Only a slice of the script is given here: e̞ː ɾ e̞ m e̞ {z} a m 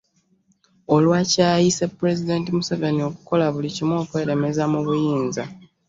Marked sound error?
no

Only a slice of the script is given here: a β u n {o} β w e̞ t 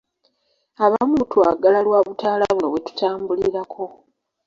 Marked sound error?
no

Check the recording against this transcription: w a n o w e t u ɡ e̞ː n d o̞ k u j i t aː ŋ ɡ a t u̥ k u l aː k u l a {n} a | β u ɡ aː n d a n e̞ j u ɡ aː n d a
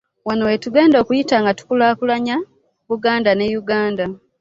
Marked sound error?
yes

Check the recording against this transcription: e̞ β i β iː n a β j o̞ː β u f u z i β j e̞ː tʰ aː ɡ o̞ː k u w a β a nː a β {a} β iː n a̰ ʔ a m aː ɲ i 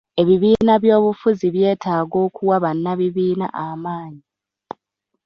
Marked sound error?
yes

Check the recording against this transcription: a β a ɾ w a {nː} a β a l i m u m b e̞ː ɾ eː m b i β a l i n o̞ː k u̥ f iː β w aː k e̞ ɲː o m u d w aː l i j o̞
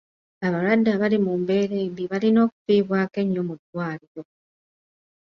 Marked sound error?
yes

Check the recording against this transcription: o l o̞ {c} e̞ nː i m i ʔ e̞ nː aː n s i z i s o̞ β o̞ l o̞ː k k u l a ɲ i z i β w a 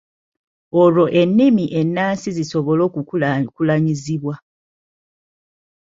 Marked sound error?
yes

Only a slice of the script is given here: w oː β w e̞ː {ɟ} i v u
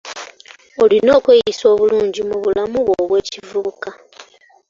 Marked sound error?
yes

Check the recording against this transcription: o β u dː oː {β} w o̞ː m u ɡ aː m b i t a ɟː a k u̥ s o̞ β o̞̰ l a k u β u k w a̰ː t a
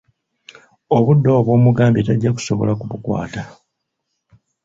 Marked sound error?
no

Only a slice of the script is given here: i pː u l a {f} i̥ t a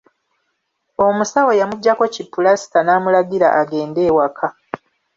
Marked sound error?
yes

